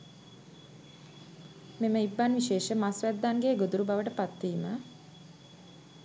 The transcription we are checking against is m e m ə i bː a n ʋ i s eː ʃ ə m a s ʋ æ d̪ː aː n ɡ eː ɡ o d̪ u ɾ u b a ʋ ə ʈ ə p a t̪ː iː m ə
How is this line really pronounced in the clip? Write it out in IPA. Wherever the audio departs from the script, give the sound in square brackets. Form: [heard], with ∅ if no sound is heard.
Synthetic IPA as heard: m e m ə i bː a n ʋ i [ʃ] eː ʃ ə m a s ʋ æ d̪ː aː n ɡ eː ɡ o d̪ u ɾ u b a ʋ ə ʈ ə p a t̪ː iː m ə

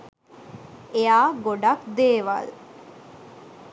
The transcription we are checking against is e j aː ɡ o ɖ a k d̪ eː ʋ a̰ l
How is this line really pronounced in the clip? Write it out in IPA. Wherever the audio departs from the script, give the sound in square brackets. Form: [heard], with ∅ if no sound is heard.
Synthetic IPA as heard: e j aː ɡ o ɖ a k d̪ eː ʋ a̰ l

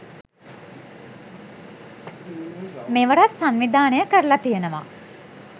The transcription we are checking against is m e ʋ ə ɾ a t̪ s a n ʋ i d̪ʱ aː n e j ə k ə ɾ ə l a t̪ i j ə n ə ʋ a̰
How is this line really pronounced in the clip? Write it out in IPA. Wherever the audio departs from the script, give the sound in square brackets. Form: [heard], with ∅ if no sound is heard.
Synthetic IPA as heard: m e ʋ ə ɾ a t̪ s a n ʋ i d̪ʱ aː n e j ə k ə ɾ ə l a t̪ i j ə n ə ʋ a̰

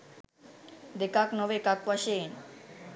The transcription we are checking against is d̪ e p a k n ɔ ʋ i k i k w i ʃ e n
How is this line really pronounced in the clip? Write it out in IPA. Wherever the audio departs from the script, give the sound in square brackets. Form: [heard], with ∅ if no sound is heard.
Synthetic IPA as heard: d̪ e [k] a k n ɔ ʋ [e] k [a] k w [a] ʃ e n

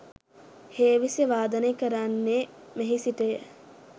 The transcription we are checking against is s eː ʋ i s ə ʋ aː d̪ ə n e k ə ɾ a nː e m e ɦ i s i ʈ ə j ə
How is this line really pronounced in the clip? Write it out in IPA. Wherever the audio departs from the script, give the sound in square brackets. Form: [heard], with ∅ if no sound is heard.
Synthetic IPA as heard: [h] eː ʋ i s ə ʋ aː d̪ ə n e k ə ɾ a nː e m e ɦ i s i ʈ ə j ə

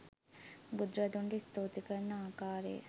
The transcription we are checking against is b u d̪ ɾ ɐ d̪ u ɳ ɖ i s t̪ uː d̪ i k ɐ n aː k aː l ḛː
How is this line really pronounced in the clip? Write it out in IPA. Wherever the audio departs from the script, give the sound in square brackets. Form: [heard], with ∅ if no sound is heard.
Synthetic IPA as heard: b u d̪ ɾ ɐ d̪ u ɳ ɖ i s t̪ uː [t̪] i k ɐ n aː k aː [ɾ] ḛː

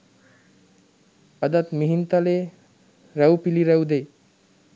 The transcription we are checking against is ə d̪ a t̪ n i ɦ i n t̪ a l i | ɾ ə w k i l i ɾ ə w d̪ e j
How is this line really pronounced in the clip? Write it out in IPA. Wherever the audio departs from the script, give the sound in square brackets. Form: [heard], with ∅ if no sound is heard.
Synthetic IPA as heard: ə d̪ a t̪ [m] i ɦ i n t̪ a l [e] | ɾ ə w [p] i l i ɾ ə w d̪ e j

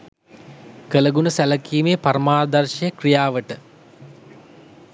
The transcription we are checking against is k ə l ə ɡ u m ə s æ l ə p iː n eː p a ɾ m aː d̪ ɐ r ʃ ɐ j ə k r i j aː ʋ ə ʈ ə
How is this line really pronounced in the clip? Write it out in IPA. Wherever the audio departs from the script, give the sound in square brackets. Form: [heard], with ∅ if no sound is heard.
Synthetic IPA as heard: k ə l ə ɡ u [n] ə s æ l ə [k] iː [m] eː p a ɾ m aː d̪ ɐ r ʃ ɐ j ə k r i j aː ʋ ə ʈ ə

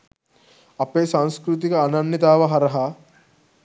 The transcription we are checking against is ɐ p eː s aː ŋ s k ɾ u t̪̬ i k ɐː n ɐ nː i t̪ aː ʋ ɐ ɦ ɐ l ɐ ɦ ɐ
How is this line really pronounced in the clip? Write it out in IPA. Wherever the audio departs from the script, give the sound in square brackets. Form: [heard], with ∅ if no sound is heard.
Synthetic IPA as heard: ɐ p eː s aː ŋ s k ɾ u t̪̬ i k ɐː n ɐ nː i t̪ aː ʋ ɐ ɦ ɐ [ɾ] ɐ ɦ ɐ

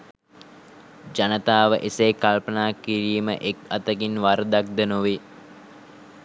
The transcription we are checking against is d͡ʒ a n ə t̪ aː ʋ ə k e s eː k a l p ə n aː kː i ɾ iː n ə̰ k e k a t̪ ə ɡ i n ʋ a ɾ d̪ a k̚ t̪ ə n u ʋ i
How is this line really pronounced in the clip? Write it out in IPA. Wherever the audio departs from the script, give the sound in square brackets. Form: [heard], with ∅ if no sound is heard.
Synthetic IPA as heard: d͡ʒ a n ə t̪ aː ʋ ə [ʔ] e s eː k a l p ə n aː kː i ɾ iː [m] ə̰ [ʔ] e k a t̪ ə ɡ i n ʋ a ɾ d̪ a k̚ [d̪] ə n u ʋ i

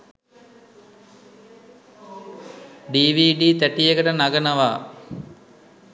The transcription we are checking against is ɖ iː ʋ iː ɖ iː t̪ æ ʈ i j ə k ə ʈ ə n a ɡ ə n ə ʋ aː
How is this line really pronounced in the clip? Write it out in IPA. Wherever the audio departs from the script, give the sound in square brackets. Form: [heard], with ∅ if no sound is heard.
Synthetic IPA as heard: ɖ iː ʋ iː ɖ iː t̪ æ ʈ i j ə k ə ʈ ə n a ɡ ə n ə ʋ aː

